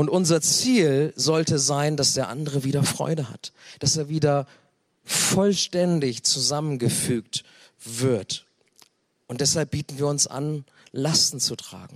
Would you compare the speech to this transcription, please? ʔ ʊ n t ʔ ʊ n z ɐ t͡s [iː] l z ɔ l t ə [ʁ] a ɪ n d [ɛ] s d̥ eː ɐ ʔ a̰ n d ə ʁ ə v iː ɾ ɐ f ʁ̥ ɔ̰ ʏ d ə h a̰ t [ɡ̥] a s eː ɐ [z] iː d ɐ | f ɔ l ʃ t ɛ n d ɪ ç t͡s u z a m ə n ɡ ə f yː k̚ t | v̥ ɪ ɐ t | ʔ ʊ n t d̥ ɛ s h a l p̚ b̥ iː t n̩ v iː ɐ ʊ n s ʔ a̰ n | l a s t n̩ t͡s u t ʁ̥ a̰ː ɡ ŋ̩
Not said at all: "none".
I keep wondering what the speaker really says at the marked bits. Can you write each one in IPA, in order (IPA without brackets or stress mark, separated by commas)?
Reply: iː, z, a, d̥, v